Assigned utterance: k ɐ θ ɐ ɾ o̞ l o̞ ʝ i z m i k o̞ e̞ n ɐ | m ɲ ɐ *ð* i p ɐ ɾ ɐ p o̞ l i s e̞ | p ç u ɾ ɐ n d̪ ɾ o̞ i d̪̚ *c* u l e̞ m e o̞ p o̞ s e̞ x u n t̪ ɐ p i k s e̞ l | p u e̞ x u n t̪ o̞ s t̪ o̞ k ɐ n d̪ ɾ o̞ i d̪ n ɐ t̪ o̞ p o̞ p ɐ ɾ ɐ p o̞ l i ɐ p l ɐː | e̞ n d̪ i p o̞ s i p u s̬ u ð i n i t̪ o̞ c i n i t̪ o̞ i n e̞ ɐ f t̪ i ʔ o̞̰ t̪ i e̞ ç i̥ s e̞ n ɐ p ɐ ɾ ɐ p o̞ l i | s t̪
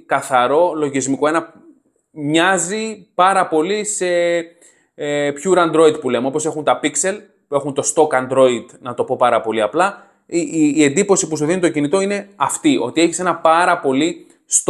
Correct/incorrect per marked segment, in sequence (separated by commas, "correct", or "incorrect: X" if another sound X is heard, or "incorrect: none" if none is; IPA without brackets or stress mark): incorrect: z, incorrect: p